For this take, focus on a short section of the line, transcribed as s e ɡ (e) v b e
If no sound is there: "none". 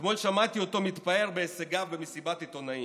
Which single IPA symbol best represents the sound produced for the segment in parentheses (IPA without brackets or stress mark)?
a